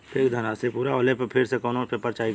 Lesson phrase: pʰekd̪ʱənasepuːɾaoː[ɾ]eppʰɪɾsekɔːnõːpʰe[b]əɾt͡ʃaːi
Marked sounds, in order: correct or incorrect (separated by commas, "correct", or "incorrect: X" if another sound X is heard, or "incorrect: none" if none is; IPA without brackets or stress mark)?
incorrect: l, incorrect: p